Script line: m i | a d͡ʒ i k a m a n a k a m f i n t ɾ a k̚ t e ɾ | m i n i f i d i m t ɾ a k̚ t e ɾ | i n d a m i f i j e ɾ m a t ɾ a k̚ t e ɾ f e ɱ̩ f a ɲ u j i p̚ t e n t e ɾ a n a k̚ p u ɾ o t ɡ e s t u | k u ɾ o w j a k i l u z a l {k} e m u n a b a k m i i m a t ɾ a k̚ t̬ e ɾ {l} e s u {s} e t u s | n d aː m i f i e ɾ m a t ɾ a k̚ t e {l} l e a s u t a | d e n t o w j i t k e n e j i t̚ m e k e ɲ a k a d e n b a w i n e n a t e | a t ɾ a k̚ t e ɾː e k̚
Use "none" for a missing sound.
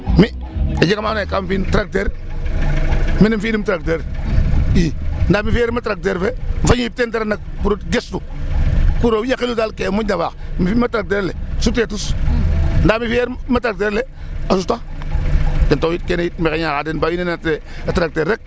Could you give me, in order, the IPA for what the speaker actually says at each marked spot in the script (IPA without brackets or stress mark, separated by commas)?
k, l, t, ɾ